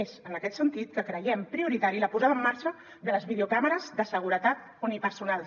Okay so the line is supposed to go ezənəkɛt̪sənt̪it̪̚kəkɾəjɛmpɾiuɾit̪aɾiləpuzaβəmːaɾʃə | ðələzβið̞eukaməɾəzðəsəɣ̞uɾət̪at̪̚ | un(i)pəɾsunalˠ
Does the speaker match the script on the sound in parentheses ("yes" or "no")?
yes